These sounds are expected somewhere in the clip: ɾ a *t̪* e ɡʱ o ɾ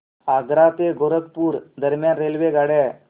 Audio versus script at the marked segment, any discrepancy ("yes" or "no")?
no